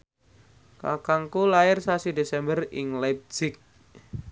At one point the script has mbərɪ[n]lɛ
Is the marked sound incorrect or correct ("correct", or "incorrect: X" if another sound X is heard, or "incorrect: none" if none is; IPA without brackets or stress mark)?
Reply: incorrect: ŋ